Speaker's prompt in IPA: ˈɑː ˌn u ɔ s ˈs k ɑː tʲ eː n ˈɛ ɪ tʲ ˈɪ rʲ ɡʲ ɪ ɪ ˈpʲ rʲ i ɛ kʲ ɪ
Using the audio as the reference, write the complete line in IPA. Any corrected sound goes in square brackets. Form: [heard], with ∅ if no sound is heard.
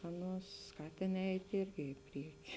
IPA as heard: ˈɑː ˌn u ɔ s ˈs k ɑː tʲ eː n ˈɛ ɪ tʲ ˈɪ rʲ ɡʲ ɪ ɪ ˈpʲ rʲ i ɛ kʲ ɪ